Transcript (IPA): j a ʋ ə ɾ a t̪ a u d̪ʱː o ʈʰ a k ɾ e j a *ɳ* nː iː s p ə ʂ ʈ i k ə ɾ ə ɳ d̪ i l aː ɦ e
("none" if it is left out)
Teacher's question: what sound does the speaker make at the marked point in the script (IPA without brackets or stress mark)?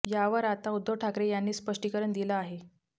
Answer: none